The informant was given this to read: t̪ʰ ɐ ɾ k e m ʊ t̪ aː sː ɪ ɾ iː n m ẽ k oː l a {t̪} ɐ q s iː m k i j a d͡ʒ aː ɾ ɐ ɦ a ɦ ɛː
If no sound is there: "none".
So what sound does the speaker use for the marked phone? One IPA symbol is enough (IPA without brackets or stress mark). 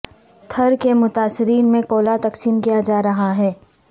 t̪